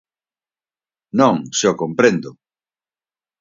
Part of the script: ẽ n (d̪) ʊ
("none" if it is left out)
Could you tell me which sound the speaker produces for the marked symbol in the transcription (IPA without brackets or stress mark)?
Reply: d̪